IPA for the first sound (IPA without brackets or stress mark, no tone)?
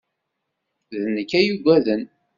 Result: ð